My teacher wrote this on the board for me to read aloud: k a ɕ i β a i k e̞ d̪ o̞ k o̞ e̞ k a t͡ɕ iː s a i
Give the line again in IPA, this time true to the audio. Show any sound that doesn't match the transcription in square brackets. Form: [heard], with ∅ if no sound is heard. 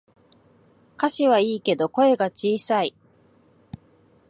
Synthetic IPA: k a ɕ i β a [iː] k e̞ d̪ o̞ k o̞ e̞ [ɡ] a t͡ɕ iː s a i